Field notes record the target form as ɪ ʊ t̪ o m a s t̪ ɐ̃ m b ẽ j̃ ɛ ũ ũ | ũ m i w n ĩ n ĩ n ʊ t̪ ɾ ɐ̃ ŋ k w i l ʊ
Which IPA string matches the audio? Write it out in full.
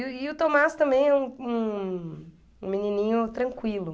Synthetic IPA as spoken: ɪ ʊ t̪ o m a s t̪ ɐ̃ m b ẽ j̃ ɛ ũ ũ | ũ m i n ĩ n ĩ ɲ ʊ t̪ ɾ ɐ̃ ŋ k w i l ʊ